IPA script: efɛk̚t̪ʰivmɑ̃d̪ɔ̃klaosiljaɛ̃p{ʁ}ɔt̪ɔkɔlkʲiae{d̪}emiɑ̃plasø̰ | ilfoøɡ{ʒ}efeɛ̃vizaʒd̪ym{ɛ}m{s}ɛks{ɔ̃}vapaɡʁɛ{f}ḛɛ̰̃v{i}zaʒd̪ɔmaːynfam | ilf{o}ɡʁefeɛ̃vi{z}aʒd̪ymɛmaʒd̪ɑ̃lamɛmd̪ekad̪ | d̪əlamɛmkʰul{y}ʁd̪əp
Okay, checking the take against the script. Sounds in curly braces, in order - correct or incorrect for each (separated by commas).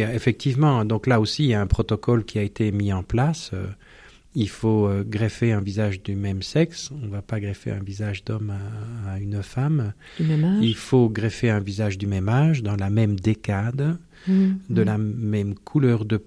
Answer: incorrect, incorrect, incorrect, correct, correct, correct, correct, correct, correct, correct, incorrect